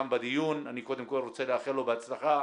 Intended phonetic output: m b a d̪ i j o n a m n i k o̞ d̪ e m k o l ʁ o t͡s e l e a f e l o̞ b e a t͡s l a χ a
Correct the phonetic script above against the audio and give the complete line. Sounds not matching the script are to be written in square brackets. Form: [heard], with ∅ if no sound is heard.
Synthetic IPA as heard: m b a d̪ i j [u] n a [∅] n i k o̞ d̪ e m k o l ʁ o t͡s e l e a [χ] e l o̞ b e a t͡s l a χ a